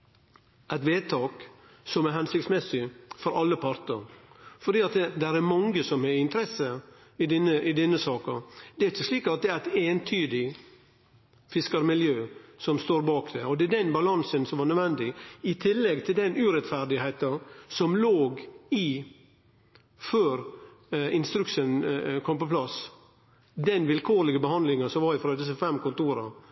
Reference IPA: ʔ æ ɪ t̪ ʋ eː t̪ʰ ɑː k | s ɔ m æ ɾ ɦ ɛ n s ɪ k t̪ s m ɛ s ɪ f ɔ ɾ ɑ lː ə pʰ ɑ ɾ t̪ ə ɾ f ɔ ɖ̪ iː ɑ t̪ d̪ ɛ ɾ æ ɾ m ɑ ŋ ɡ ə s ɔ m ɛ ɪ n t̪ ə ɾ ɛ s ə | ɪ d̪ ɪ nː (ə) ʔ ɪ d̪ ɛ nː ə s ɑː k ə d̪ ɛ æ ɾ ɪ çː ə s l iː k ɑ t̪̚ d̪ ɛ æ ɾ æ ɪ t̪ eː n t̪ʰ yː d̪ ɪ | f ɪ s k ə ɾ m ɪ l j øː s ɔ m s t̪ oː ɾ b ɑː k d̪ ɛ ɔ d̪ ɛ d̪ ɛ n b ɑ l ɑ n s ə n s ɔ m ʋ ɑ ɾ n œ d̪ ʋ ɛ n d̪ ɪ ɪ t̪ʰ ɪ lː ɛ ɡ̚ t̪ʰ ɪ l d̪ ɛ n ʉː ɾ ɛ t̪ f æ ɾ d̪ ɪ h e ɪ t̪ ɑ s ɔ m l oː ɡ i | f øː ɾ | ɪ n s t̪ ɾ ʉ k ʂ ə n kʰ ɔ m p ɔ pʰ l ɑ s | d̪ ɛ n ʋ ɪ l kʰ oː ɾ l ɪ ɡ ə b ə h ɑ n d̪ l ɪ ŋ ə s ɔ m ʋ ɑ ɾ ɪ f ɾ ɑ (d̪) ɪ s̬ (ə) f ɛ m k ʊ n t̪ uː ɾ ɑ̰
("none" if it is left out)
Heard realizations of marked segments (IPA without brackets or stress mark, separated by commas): ə, d̪, ə